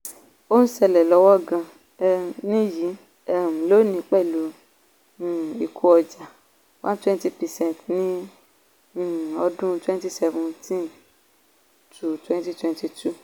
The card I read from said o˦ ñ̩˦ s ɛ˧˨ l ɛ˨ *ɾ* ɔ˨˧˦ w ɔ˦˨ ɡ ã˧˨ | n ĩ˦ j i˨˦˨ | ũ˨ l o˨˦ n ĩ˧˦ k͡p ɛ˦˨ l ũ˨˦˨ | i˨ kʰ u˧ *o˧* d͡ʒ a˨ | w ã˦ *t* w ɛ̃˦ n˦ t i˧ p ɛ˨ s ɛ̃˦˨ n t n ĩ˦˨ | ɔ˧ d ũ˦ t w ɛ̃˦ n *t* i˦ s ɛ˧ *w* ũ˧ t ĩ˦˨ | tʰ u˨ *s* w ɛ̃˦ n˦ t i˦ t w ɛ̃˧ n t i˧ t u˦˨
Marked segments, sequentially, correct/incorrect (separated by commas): incorrect, incorrect, correct, correct, incorrect, incorrect